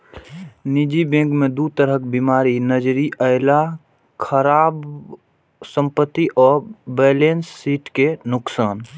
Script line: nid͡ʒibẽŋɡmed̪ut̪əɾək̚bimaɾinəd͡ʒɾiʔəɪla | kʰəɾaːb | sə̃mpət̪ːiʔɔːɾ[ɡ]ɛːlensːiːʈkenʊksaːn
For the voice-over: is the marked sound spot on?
no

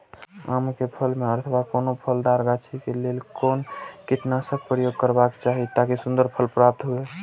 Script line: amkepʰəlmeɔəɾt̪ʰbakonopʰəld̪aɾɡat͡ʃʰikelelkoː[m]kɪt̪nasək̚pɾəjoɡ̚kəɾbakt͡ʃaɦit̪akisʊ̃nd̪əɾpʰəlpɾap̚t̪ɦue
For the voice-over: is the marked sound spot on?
no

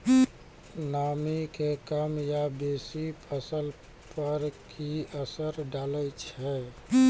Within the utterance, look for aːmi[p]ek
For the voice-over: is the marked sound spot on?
no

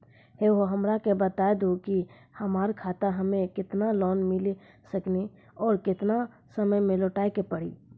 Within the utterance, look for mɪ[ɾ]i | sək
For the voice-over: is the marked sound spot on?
no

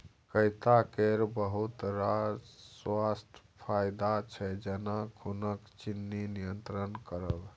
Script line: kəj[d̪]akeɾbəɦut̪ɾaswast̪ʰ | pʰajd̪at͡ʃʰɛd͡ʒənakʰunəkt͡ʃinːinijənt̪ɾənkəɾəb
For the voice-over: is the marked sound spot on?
no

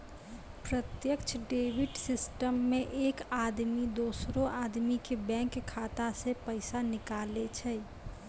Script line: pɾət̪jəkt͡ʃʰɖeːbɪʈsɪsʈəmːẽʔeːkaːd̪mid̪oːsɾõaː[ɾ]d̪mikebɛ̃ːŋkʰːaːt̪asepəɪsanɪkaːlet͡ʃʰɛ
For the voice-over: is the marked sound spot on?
no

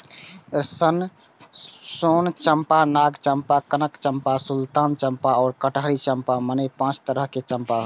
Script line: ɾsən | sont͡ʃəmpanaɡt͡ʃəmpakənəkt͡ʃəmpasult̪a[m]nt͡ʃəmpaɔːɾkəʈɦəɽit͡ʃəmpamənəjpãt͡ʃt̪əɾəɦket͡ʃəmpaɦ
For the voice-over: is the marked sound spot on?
no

